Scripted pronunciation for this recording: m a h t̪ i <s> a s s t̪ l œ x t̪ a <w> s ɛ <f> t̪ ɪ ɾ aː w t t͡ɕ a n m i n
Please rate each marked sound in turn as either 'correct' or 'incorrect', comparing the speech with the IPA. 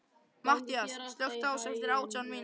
incorrect: none, correct, correct

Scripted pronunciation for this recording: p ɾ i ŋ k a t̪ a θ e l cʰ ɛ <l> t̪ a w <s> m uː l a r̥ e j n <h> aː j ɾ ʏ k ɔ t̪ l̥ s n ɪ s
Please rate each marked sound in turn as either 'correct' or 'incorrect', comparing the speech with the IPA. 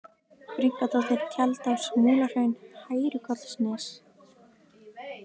correct, correct, correct

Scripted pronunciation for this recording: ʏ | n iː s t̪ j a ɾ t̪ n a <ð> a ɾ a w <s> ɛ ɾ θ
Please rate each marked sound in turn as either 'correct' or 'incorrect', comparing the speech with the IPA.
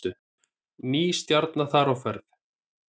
incorrect: θ, incorrect: f

